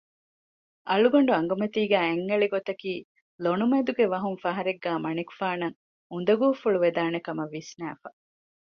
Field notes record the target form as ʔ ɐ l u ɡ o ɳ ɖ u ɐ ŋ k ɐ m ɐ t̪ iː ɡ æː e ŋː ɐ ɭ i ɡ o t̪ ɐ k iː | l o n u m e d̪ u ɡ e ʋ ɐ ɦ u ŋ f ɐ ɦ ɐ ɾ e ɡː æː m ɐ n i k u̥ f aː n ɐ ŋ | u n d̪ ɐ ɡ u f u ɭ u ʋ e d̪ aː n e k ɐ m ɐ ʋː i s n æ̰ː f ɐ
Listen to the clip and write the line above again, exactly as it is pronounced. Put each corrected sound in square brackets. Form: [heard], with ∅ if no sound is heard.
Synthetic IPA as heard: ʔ ɐ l u ɡ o ɳ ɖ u ɐ ŋ [ɡ] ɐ m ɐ t̪ iː ɡ æː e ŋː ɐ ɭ i ɡ o t̪ ɐ k iː | l o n u m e d̪ u ɡ e ʋ ɐ ɦ u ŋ f ɐ ɦ ɐ ɾ e ɡː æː m ɐ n i k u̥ f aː n ɐ ŋ | u n d̪ ɐ ɡ [uː] f u ɭ u ʋ e d̪ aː n e k ɐ m ɐ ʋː i s n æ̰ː f ɐ